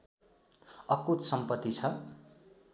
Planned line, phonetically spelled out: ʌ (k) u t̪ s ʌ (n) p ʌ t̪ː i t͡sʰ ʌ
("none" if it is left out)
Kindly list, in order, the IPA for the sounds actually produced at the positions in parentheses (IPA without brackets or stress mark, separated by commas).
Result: k, m